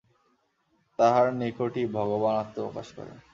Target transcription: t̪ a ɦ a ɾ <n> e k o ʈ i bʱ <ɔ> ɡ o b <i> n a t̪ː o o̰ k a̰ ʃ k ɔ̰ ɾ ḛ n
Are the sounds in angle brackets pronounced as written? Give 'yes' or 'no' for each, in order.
yes, yes, no

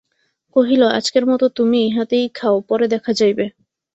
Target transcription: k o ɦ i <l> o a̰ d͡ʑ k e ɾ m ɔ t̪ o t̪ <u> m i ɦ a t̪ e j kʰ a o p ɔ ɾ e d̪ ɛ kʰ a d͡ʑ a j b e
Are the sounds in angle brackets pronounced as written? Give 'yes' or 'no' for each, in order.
yes, yes

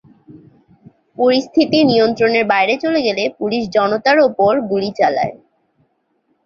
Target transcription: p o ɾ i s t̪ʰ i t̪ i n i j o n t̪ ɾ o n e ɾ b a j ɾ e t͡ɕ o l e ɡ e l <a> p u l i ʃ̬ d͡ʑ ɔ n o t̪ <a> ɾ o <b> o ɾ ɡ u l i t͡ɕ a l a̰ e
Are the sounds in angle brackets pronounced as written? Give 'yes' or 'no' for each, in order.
no, yes, no

